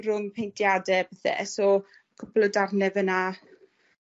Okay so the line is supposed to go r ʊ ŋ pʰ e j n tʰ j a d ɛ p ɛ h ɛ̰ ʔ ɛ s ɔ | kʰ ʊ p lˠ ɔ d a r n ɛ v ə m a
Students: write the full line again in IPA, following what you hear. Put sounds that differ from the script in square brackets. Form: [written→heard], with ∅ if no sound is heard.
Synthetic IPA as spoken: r ʊ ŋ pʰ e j n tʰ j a d ɛ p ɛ [h→θ] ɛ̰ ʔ ɛ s ɔ | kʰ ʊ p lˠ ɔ d a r n ɛ v ə [m→n] a

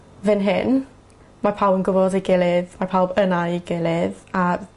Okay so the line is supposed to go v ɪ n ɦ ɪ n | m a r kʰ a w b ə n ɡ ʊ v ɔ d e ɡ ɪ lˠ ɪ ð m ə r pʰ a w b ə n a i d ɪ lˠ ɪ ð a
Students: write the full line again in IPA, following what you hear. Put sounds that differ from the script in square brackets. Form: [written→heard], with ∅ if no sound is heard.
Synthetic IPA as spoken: v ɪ n ɦ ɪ n | m a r [kʰ→pʰ] a w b ə n ɡ ʊ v ɔ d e ɡ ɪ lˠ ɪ ð m [ə→a] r pʰ a w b ə n a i [d→ɡ] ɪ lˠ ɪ ð a

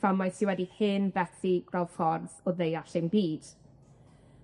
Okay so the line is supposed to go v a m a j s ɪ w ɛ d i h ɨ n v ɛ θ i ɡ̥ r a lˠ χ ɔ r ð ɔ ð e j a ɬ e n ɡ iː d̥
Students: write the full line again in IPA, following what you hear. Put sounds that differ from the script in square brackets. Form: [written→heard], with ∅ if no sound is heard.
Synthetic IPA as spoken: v a m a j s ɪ w ɛ d i h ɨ n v ɛ θ i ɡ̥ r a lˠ [χ→f] ɔ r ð ɔ ð e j a ɬ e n [ɡ→b] iː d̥

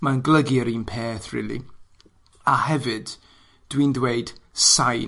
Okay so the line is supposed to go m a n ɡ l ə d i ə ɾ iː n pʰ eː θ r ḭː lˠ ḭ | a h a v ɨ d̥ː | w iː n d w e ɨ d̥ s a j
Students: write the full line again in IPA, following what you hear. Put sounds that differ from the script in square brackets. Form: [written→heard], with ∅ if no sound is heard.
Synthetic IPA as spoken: m a n ɡ l ə [d→ɡ] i ə ɾ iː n pʰ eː θ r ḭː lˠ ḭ | a h [a→ɛ] v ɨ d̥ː | w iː n d w e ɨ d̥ s a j

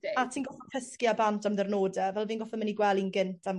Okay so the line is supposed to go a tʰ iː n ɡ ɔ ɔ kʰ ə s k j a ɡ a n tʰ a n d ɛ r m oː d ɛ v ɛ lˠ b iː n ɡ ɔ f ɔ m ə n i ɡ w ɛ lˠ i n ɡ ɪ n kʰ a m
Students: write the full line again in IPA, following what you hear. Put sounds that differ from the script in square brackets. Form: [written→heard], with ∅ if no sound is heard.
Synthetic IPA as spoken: a tʰ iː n ɡ ɔ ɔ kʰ ə s k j a [ɡ→b] a n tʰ a [n→m] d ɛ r [m→n] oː d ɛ v ɛ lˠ [b→v] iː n ɡ ɔ f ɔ m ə n i ɡ w ɛ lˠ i n ɡ ɪ n [kʰ→tʰ] a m

